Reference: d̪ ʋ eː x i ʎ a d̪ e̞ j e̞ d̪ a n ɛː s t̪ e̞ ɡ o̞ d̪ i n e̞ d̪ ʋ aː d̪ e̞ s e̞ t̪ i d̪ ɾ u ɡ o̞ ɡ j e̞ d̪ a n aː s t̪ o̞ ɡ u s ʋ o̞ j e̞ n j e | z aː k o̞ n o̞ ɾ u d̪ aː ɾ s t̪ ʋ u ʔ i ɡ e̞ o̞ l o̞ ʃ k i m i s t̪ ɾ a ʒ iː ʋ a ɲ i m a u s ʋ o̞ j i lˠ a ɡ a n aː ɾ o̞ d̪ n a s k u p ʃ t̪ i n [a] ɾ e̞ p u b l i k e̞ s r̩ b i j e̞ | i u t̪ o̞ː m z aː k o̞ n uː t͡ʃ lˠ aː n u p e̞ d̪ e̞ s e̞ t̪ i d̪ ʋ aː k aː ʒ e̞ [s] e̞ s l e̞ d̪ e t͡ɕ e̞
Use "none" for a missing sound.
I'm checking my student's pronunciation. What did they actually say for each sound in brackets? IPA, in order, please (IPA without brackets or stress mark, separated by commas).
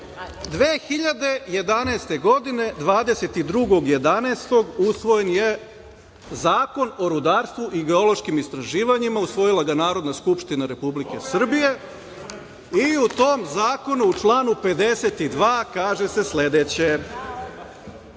a, s